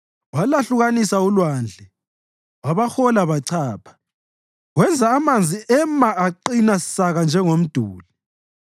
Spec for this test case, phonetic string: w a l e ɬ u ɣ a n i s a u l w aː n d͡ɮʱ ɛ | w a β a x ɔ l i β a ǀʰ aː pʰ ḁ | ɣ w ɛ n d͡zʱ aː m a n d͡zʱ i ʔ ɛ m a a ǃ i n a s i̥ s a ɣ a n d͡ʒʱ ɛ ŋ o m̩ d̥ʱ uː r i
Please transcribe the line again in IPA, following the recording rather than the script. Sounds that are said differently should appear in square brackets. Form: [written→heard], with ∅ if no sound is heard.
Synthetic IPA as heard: w a l [e→a] ɬ u ɣ a n i s a u l w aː n d͡ɮʱ ɛ | w a β a x ɔ l [i→a] β a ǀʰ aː pʰ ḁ | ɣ w ɛ n d͡zʱ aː m a n d͡zʱ i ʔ ɛ m a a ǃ i n a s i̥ s a ɣ a n d͡ʒʱ ɛ ŋ o m̩ d̥ʱ uː [r→l] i